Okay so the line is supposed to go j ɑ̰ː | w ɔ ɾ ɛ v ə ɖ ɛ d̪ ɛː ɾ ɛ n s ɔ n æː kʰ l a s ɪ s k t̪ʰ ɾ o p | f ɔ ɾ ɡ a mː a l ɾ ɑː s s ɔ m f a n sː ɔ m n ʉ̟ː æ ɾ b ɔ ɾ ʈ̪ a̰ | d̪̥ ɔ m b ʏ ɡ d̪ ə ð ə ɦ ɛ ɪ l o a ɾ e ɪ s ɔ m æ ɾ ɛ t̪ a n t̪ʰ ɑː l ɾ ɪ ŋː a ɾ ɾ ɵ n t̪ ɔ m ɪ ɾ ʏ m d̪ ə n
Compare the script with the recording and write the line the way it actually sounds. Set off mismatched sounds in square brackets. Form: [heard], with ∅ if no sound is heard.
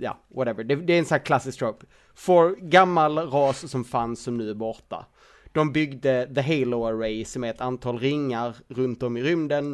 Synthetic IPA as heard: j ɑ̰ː | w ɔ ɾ ɛ v ə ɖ ɛ d̪ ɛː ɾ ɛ n s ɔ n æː kʰ l a s ɪ s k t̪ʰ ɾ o p | f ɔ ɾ ɡ a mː a l ɾ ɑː s s ɔ m f a n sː ɔ m n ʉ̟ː æ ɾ b ɔ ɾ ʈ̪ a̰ | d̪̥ ɔ m b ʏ ɡ d̪ ə ð ə ɦ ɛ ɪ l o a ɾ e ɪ s ɔ m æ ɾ ɛ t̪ a n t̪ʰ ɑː l ɾ ɪ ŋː a ɾ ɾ ɵ n t̪ ɔ m ɪ ɾ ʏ m d̪ ə n